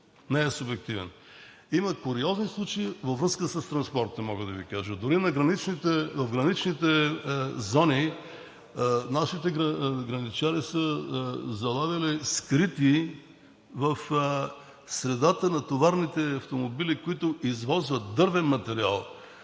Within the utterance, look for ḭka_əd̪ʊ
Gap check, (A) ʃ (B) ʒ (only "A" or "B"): B